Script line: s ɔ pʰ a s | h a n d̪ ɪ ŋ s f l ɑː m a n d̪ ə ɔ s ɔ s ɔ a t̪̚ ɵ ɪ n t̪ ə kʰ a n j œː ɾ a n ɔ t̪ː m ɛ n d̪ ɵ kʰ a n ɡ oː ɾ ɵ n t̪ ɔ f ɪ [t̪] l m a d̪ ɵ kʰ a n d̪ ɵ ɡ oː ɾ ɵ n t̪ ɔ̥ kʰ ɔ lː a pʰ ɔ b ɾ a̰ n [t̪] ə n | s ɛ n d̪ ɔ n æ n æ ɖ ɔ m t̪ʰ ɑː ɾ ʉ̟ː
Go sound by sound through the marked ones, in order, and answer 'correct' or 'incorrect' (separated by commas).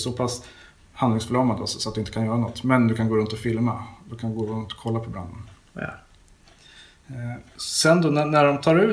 incorrect, incorrect